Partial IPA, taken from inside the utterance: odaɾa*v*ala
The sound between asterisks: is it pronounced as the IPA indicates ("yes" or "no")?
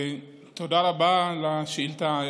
no